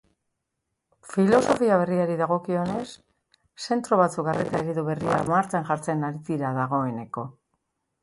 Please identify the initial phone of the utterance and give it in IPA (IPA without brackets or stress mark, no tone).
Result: f